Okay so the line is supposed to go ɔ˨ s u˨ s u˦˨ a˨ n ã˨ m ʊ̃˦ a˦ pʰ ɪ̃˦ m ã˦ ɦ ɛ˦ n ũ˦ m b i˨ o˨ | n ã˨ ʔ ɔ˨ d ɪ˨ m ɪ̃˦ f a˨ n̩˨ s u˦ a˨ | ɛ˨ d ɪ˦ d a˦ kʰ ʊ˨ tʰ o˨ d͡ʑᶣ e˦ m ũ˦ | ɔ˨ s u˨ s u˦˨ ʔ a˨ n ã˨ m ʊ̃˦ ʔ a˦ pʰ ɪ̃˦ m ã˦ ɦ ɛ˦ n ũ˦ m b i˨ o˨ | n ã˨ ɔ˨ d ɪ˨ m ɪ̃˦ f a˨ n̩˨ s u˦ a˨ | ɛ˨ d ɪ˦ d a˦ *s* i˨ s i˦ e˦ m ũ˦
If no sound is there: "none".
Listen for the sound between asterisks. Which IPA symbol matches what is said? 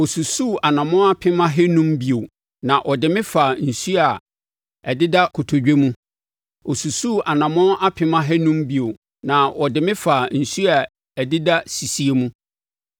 s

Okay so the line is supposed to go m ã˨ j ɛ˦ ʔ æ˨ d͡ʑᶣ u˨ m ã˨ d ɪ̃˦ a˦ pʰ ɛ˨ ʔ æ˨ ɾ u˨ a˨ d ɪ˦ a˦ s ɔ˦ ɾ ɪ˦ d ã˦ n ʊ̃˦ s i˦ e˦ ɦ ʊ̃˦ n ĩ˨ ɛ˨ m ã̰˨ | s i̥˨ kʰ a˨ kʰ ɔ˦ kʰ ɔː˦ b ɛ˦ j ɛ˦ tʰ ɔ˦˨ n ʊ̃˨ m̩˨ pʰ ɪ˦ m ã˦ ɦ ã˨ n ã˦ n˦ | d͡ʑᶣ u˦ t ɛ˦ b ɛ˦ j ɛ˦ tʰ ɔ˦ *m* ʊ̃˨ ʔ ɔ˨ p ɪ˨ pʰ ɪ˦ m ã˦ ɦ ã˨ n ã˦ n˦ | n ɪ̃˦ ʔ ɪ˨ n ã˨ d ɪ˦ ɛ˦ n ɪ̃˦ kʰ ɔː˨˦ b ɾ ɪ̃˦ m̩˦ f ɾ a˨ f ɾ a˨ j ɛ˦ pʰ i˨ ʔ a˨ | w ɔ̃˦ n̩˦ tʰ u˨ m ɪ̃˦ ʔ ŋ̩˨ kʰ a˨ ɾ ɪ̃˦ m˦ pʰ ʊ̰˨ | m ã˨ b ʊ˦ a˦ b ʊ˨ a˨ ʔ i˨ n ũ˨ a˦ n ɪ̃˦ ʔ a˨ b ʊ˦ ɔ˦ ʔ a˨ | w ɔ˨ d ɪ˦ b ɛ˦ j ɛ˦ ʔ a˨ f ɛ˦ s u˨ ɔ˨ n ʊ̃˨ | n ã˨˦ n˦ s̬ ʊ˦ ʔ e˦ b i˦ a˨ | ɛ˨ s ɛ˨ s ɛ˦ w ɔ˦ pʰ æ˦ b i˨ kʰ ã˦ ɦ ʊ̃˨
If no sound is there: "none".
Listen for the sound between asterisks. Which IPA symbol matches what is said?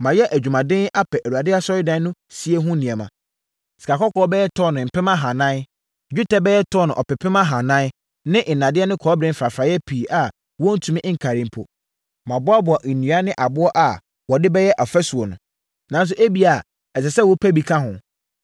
n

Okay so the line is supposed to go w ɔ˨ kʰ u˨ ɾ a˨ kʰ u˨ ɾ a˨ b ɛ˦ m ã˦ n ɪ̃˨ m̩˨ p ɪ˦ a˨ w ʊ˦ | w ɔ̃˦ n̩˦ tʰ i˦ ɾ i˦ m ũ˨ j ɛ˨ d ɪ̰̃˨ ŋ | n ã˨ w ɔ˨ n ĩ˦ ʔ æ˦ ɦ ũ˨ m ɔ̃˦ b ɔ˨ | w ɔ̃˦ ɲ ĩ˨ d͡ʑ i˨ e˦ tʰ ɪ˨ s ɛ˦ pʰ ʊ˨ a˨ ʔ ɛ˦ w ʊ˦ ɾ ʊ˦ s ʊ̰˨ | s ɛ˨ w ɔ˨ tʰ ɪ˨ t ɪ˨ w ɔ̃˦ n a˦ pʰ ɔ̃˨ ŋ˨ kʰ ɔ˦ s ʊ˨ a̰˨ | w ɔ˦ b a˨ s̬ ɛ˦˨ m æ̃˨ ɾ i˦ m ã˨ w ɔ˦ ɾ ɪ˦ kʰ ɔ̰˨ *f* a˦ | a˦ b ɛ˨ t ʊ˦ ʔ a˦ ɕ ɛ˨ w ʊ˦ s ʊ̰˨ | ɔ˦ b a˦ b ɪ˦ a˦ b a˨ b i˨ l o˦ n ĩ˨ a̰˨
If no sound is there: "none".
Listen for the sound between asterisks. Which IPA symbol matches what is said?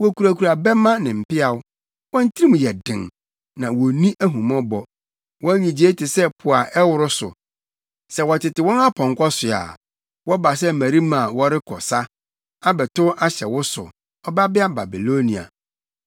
s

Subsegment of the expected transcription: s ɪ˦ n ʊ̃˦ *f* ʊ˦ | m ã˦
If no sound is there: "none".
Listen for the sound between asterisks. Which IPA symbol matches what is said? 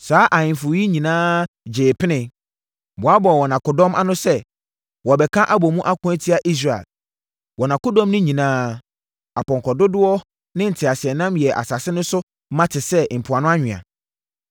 s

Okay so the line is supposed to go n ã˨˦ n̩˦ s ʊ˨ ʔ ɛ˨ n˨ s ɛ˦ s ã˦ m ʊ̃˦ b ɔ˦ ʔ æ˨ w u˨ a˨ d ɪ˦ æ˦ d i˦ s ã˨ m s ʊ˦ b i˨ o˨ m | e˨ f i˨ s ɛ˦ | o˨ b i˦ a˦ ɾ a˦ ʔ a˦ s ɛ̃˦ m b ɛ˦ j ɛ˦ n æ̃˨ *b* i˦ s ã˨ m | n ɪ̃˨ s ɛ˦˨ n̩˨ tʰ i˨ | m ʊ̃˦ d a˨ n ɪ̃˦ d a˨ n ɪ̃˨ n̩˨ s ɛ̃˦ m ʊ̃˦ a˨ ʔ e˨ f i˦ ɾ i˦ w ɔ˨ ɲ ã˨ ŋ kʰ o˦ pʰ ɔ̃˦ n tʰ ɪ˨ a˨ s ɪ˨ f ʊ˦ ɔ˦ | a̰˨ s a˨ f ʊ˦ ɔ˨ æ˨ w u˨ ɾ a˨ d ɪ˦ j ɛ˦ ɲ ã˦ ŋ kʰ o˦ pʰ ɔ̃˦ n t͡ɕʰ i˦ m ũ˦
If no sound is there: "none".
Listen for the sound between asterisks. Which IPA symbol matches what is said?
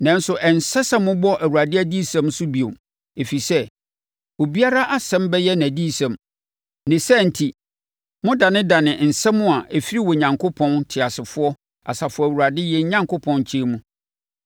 d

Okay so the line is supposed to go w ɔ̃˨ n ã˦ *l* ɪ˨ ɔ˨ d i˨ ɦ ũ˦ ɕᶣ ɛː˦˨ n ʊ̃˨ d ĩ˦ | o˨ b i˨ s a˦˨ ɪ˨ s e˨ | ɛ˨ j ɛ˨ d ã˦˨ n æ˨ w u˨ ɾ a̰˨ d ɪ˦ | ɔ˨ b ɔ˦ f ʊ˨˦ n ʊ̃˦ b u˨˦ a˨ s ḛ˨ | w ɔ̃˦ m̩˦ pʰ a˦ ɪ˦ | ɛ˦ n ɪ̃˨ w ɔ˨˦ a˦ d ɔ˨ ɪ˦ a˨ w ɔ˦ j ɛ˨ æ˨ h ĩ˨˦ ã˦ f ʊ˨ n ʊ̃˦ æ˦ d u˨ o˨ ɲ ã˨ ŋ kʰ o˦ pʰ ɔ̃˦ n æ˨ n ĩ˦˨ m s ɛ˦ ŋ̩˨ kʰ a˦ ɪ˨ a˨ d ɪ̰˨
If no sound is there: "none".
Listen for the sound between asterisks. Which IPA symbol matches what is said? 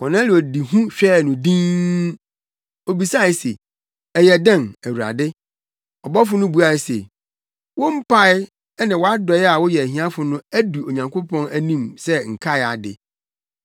l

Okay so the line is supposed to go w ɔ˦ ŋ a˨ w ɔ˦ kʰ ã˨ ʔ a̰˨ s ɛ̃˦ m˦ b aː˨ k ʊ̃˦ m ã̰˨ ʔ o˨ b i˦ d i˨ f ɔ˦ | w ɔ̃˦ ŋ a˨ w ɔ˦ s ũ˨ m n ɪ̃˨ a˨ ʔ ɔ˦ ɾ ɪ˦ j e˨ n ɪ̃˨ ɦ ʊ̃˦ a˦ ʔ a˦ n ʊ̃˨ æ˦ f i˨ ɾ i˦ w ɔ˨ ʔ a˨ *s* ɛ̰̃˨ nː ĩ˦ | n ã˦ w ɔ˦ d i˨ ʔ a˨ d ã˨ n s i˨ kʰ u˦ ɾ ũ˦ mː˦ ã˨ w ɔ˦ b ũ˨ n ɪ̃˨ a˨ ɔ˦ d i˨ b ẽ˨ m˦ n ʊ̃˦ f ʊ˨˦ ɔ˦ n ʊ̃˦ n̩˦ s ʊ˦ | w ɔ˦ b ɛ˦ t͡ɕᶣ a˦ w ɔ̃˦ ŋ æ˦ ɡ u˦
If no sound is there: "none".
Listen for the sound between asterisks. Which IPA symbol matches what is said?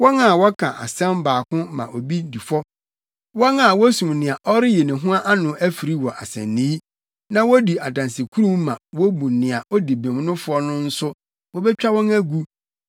s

